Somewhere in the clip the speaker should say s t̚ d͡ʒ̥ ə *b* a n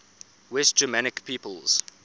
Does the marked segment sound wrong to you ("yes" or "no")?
yes